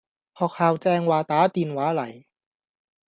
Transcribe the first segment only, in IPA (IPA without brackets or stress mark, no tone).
h